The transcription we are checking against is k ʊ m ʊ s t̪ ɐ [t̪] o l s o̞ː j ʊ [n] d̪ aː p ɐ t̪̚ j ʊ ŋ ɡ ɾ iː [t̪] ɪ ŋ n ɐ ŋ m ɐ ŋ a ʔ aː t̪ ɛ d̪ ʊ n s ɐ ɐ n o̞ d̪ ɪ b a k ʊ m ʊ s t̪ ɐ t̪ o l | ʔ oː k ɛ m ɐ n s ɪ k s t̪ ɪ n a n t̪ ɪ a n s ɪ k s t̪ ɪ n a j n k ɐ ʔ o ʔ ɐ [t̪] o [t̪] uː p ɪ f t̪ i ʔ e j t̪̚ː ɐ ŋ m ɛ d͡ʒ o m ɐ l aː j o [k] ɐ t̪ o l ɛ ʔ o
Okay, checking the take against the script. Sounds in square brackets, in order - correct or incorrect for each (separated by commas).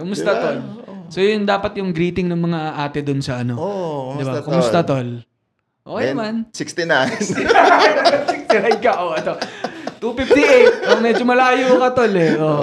correct, correct, correct, correct, correct, correct